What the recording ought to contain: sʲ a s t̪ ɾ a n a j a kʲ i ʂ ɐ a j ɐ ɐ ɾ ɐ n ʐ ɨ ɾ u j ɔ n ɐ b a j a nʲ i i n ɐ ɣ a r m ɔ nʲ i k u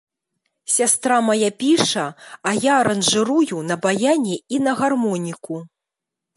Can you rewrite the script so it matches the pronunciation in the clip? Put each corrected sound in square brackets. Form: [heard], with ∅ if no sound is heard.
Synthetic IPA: sʲ a s t̪ ɾ a [m] a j a [pʲ] i ʂ ɐ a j [a] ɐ ɾ ɐ n ʐ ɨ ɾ u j [u] n ɐ b a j a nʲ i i n ɐ ɣ a r m ɔ nʲ i k u